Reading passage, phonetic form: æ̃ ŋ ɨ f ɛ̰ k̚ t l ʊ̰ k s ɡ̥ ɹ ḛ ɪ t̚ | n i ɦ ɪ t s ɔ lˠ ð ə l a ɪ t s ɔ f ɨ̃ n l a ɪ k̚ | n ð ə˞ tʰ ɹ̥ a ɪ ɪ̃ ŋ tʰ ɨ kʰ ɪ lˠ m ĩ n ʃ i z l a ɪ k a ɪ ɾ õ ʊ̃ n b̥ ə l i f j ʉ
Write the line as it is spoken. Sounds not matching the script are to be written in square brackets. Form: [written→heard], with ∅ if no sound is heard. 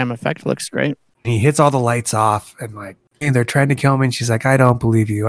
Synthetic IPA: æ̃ [ŋ→m] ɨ f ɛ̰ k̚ t l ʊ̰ k s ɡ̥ ɹ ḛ ɪ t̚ | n i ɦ ɪ t s ɔ lˠ ð ə l a ɪ t s ɔ f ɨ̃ n l a ɪ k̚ | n ð ə˞ tʰ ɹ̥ a ɪ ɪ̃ ŋ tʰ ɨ kʰ ɪ lˠ m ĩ n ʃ i z l a ɪ k a ɪ ɾ õ ʊ̃ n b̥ ə l i [f→v] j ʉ